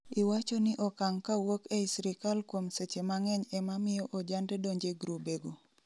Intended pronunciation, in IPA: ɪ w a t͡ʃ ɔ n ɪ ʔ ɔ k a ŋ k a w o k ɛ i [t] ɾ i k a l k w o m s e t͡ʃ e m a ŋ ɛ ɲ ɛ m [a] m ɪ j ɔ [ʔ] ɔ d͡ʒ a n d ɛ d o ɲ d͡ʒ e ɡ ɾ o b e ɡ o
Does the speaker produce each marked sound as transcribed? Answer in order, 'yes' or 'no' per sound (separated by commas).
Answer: no, yes, yes